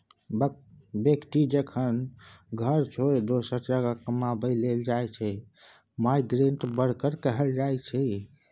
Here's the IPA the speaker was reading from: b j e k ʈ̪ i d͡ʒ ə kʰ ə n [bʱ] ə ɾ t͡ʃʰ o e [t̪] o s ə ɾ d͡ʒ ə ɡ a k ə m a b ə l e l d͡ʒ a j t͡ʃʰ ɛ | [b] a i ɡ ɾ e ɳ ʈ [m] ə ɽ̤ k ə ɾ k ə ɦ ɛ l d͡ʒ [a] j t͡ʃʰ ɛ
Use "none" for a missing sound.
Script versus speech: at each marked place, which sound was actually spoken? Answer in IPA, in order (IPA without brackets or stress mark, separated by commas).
ɡʱ, d̪, m, b, a